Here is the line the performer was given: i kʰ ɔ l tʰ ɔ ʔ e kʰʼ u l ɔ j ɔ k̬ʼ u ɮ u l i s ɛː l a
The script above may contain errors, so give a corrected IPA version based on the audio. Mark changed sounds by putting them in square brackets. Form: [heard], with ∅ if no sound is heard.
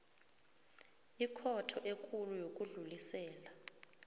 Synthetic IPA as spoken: i kʰ ɔ [∅] tʰ ɔ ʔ e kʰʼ u l [u] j [o] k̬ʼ u ɮ u l i s ɛː l a